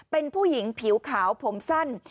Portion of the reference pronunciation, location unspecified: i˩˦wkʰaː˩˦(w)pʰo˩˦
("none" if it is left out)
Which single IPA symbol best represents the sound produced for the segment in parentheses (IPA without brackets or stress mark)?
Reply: w